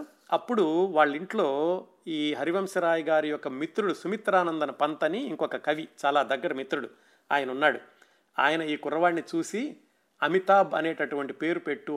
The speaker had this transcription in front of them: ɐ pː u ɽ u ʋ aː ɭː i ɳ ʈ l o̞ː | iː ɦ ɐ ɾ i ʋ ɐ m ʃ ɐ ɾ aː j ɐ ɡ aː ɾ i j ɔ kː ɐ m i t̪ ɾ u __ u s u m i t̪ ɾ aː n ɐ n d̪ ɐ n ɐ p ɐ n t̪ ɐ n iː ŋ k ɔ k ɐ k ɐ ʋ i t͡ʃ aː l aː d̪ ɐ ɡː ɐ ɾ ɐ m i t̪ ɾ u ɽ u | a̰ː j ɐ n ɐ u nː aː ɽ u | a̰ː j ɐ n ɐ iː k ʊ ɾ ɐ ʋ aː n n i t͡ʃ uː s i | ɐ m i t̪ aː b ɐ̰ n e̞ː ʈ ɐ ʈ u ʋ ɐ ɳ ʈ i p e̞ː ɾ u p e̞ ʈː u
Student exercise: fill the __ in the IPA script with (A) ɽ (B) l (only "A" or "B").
A